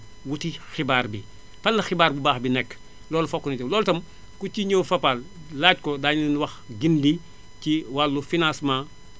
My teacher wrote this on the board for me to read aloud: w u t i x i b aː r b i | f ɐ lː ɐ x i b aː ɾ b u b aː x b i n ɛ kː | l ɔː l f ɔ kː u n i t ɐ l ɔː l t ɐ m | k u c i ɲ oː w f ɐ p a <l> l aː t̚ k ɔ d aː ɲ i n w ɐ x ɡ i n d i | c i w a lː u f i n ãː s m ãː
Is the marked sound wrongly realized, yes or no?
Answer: no